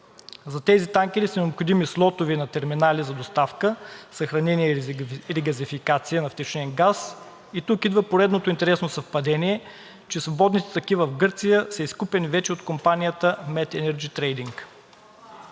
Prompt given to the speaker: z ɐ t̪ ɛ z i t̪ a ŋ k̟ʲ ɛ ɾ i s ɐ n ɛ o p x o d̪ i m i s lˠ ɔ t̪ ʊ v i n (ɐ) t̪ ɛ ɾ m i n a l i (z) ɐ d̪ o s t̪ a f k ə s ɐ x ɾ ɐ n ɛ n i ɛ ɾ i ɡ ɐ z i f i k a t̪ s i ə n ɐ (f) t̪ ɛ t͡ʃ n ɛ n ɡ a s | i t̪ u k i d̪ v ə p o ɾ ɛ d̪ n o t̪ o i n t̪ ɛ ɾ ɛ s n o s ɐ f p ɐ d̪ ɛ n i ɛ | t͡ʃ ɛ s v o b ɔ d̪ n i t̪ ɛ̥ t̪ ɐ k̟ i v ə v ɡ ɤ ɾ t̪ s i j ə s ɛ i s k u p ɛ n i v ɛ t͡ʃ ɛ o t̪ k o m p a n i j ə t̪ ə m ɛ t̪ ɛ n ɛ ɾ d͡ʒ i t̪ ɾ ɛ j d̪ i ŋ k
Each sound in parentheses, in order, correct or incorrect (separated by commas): correct, correct, correct